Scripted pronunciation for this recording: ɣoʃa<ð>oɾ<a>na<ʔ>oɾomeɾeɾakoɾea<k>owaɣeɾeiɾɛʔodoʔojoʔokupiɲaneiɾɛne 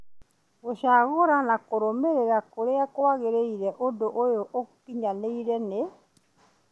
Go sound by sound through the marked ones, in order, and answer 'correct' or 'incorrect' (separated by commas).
incorrect, correct, incorrect, correct